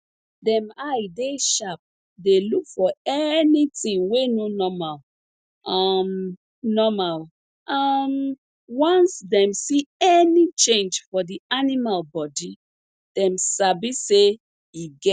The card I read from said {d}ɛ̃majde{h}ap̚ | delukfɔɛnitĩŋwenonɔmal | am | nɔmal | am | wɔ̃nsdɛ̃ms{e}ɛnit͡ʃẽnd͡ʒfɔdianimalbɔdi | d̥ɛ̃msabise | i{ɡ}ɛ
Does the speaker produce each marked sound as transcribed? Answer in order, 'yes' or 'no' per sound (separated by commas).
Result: yes, no, no, yes